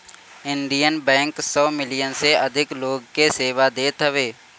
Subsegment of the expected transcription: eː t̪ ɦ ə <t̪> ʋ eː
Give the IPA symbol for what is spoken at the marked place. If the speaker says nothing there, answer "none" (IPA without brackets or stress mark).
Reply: none